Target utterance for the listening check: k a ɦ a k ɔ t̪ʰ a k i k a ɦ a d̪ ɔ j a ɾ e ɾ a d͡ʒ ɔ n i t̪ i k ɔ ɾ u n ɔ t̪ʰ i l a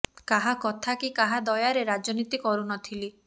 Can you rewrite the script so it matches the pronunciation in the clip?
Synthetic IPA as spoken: k a ɦ a k ɔ t̪ʰ a k i k a ɦ a d̪ ɔ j a ɾ e ɾ a d͡ʒ ɔ n i t̪ i k ɔ ɾ u n ɔ t̪ʰ i l i